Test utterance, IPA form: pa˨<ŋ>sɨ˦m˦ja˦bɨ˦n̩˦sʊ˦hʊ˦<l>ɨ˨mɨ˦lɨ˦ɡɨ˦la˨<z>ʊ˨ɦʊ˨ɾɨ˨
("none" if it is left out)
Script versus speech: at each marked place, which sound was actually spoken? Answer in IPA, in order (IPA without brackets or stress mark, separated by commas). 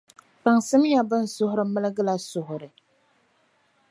ŋ, ɾ, s